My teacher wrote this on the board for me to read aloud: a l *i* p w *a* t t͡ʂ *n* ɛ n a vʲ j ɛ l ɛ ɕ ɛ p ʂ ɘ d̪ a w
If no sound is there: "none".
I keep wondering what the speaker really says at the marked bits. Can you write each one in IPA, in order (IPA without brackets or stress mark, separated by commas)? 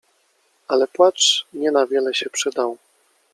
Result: ɛ, a, ɲ